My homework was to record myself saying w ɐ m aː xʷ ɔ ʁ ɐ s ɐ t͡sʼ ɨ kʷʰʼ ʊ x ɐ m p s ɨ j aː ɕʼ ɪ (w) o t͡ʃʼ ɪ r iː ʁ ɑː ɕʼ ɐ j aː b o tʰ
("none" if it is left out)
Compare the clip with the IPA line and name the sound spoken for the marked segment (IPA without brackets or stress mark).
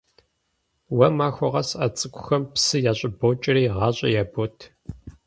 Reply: b